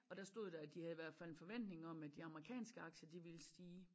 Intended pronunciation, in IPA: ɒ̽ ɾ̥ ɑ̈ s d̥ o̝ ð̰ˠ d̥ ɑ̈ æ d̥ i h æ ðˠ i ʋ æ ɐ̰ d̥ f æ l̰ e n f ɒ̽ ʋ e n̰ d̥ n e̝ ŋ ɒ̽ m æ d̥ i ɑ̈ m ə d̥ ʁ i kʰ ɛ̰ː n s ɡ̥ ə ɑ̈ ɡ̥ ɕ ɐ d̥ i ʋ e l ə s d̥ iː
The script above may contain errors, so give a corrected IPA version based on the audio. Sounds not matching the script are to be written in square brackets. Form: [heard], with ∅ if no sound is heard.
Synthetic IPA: ɒ̽ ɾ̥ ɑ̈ s d̥ o̝ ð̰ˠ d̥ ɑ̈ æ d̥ i h æ ðˠ i ʋ æ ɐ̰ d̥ f æ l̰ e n f ɒ̽ ʋ e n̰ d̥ n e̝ ŋ ɒ̽ m æ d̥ i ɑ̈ m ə [∅] ʁ i kʰ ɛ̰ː n s ɡ̥ ə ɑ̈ ɡ̥ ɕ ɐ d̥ i ʋ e l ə s d̥ iː